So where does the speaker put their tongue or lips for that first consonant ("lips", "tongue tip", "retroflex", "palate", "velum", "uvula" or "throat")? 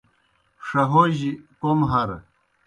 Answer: retroflex